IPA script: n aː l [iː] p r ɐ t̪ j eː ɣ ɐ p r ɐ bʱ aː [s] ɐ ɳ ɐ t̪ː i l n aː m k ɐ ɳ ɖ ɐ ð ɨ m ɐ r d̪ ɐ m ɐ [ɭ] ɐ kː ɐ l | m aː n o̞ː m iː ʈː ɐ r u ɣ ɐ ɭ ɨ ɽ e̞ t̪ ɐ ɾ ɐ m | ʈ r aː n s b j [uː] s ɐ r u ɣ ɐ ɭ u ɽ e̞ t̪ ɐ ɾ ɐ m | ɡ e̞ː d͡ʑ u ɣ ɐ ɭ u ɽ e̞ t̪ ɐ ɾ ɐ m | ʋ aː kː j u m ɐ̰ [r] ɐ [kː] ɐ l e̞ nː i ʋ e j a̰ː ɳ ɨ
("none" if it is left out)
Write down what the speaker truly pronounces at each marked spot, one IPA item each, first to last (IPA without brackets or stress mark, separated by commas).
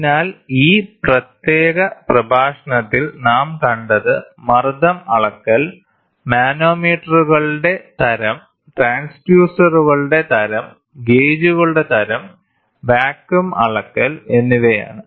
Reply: iː, ʂ, ɭ, uː, ɭ, kː